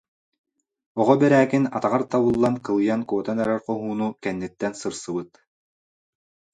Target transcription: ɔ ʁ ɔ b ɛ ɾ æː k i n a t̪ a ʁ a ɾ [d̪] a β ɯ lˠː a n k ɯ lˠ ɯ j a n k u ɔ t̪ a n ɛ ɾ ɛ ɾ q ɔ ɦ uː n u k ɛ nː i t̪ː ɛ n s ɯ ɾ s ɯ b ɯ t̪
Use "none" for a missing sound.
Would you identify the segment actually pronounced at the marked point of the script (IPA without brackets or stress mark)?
t̪